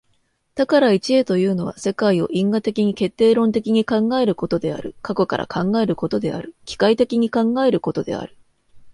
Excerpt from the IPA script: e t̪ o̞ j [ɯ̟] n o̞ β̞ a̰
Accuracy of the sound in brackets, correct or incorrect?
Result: incorrect: ɯ̟ː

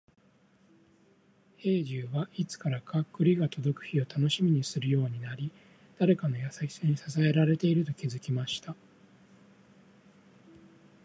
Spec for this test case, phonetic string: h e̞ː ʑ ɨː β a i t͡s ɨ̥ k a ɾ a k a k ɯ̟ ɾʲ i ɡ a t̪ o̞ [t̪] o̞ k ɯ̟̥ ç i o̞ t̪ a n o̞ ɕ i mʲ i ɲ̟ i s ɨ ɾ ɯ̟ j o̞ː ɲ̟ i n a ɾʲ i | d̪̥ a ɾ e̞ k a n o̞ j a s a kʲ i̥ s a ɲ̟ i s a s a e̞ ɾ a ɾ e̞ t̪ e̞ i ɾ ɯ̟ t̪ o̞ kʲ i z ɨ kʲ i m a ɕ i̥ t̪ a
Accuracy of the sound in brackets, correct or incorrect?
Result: incorrect: d̪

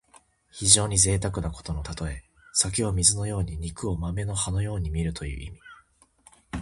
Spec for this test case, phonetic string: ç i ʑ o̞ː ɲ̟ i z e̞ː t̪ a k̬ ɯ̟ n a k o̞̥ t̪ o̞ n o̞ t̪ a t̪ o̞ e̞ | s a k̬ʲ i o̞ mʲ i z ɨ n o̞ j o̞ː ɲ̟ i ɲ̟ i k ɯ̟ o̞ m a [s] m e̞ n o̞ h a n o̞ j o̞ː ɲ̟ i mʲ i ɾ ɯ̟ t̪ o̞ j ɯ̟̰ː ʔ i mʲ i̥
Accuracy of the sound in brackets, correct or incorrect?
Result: incorrect: none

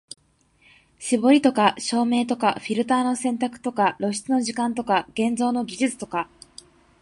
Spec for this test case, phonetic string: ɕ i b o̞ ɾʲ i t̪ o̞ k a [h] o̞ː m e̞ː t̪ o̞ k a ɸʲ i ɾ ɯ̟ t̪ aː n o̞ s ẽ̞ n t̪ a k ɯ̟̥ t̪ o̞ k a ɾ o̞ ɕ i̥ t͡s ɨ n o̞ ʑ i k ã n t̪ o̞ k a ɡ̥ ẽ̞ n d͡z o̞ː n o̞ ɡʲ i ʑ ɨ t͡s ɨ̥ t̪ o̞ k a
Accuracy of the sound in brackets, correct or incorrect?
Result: incorrect: ɕ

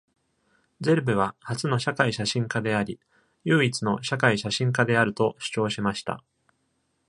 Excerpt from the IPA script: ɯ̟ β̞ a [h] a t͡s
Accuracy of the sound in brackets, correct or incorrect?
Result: correct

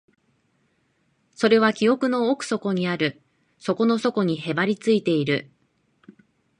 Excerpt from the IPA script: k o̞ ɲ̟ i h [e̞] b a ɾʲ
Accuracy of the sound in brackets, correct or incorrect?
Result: correct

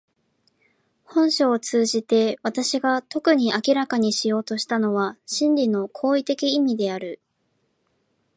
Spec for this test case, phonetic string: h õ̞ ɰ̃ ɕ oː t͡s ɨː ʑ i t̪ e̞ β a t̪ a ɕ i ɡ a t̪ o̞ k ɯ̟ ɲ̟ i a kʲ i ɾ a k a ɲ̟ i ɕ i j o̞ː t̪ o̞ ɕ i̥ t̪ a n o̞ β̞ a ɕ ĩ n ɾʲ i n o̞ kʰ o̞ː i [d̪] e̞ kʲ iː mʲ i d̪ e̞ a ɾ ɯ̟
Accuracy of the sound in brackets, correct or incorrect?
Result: incorrect: t̪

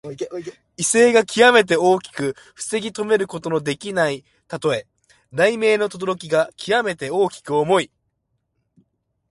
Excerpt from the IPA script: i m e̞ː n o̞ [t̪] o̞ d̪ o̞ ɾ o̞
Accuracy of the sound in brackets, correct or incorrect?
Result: correct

